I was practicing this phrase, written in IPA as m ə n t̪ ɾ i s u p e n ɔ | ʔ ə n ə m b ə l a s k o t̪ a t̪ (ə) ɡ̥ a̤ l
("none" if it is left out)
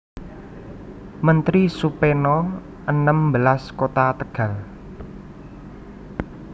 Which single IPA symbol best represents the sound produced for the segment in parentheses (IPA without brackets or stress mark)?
ə